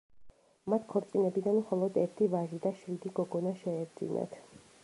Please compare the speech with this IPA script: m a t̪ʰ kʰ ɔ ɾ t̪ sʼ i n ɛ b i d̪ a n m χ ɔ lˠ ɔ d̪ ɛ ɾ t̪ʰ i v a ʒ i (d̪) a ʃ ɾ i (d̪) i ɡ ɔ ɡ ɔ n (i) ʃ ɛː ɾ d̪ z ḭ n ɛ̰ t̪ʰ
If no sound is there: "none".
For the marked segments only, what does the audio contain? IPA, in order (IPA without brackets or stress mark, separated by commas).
d̪, d̪, a